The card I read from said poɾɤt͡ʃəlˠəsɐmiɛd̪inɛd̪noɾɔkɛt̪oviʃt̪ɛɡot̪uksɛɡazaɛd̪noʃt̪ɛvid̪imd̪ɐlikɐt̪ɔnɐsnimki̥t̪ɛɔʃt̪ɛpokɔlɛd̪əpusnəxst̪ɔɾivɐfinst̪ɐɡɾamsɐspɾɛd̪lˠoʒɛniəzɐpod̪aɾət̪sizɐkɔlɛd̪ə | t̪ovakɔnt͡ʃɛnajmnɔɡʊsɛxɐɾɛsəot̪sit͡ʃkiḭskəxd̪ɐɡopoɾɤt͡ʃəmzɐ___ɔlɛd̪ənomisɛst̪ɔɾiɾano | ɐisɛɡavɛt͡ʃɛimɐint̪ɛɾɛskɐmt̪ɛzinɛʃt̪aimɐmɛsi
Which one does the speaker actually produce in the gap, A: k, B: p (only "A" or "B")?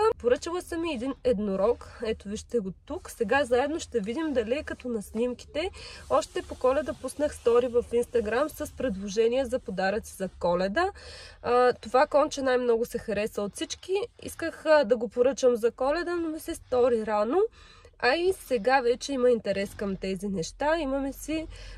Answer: A